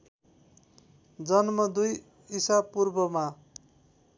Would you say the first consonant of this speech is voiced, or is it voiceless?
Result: voiced